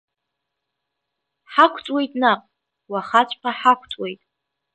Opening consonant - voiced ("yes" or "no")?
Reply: no